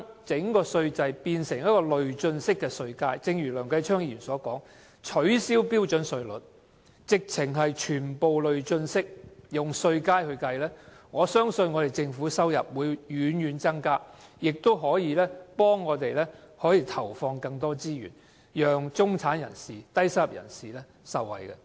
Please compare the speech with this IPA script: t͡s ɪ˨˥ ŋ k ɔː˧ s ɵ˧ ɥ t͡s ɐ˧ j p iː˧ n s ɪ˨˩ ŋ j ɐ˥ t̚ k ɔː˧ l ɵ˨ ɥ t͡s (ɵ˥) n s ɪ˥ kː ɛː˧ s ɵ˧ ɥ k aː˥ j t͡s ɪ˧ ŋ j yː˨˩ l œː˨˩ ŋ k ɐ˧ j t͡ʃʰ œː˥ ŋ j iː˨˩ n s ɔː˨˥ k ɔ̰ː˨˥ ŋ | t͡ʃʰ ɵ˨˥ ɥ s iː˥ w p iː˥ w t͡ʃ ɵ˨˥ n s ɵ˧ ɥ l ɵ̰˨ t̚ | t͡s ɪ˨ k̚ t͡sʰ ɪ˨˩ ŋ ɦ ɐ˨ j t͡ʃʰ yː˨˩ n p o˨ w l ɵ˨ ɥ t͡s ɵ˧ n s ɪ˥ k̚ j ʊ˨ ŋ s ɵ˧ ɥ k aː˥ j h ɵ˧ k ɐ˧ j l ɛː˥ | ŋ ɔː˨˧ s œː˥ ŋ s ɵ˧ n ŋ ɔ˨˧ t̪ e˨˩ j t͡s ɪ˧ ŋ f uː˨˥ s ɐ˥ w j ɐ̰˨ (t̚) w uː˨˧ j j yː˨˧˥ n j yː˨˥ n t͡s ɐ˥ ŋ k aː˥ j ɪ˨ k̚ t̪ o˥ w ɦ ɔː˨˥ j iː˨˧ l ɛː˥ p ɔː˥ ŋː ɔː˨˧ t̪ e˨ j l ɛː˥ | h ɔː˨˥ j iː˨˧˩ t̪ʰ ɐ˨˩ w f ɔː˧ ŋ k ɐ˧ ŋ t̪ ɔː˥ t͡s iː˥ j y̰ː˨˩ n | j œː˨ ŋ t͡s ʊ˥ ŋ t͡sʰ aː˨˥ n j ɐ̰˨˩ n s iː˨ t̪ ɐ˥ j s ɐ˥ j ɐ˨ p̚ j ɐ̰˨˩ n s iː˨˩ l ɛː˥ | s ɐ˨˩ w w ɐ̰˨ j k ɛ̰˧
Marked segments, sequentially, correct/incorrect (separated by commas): incorrect, incorrect